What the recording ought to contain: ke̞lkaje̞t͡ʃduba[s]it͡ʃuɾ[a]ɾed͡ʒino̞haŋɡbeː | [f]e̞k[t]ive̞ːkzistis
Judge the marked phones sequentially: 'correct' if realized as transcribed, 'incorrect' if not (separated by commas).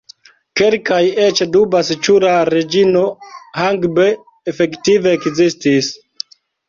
correct, correct, correct, correct